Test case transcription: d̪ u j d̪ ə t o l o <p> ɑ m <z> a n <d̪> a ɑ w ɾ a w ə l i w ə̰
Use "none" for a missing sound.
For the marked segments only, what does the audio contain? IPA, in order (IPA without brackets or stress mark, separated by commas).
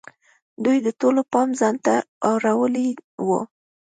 p, z, t̪